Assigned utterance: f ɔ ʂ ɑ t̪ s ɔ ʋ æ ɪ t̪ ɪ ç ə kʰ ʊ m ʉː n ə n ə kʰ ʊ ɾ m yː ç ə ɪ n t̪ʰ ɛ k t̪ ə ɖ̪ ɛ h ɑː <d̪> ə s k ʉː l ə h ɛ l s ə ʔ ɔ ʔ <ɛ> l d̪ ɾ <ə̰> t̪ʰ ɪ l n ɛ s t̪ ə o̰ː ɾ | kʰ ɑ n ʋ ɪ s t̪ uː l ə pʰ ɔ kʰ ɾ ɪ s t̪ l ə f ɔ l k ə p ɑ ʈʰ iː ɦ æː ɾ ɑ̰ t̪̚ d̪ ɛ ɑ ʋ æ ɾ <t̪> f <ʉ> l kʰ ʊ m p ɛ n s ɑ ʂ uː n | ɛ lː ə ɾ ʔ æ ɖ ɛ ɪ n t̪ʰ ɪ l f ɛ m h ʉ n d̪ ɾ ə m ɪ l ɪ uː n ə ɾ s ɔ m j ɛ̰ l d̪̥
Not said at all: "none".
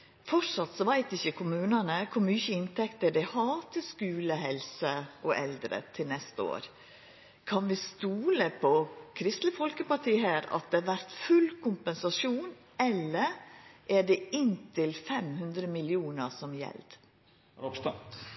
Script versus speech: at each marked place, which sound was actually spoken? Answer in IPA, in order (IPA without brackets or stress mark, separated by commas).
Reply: t̪, ɛ, ə̰, t̪, ʉ